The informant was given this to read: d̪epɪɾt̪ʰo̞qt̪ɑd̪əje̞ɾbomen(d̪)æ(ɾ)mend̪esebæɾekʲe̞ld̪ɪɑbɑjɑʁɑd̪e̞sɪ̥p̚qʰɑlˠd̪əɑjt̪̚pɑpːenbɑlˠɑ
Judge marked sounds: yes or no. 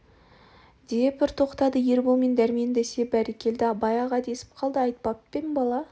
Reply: yes, yes

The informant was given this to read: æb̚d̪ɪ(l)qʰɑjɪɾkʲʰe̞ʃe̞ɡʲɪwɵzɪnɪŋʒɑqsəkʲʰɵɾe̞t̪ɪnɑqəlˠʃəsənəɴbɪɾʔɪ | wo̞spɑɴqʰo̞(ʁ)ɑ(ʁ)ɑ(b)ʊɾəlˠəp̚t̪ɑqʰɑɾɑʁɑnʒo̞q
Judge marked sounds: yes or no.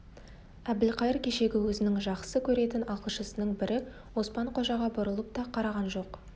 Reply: yes, no, yes, yes

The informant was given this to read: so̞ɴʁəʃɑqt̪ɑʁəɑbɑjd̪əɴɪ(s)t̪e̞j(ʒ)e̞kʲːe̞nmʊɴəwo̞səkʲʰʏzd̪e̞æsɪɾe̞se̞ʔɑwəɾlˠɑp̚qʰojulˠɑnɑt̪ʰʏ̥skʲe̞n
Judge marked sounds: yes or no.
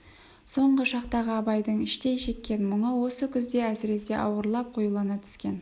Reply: no, no

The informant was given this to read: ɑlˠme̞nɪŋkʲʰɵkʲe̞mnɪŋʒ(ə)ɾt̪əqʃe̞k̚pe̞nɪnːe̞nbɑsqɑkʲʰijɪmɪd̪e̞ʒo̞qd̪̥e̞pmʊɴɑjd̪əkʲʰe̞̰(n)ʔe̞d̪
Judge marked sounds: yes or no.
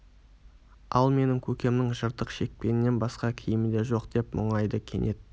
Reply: yes, yes

